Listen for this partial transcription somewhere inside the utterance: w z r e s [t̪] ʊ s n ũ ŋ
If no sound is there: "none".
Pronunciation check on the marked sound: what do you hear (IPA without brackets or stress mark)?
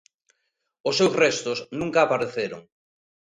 t̪